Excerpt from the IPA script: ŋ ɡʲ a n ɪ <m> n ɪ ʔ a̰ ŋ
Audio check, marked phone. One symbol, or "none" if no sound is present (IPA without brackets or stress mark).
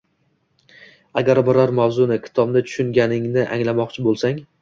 ŋ